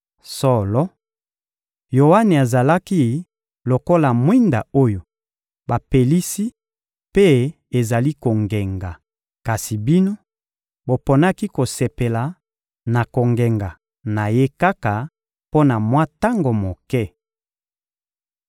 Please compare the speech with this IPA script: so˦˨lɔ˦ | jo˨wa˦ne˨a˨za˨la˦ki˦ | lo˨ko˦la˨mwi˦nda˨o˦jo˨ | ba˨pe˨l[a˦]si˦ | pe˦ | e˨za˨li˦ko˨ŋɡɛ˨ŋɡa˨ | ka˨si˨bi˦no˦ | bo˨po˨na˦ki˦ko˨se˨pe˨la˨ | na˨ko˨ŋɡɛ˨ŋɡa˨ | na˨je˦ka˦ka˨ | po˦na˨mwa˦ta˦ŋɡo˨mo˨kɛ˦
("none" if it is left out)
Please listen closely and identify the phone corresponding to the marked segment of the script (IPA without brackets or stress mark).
i˦